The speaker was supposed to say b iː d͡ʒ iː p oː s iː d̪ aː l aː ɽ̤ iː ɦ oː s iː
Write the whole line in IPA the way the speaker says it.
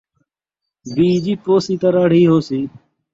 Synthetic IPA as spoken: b iː d͡ʒ iː p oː s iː t̪ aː ɾ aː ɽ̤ iː ɦ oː s iː